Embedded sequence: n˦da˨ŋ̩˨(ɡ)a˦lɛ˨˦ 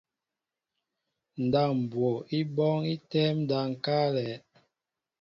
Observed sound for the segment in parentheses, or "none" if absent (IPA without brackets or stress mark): k